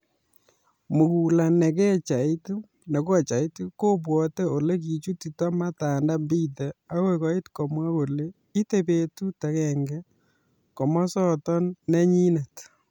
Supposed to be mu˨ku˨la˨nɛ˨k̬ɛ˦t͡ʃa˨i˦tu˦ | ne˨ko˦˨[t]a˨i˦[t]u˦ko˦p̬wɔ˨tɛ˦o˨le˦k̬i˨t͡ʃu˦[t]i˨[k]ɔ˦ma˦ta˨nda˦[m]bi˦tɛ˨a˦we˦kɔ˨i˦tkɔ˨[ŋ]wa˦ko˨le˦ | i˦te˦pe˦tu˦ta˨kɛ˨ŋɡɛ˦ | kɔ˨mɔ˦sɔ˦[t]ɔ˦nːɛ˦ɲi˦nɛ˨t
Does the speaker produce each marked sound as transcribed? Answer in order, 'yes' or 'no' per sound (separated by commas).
no, yes, yes, no, yes, no, yes